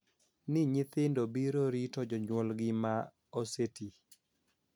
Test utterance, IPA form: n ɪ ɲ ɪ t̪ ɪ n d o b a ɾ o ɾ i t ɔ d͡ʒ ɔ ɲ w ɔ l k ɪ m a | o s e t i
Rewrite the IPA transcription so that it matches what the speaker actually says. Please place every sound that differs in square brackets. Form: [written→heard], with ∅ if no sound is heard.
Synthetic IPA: n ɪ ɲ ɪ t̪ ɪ n d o b [a→i] ɾ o ɾ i t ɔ d͡ʒ ɔ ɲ w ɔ l [k→ɡ] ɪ m a | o s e t i